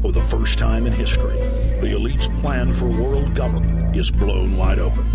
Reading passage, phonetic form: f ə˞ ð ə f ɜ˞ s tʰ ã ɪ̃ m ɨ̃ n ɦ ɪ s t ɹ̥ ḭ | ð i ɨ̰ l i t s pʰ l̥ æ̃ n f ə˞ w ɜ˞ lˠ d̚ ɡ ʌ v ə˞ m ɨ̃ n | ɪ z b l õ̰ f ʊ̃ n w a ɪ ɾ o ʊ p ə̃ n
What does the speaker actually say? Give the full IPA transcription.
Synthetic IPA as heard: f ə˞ ð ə f ɜ˞ s tʰ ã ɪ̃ m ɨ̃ n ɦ ɪ s t ɹ̥ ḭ | ð i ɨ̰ l i t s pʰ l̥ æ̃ n f ə˞ w ɜ˞ lˠ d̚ ɡ ʌ v ə˞ m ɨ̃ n | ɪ z b l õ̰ ʊ̃ n w a ɪ ɾ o ʊ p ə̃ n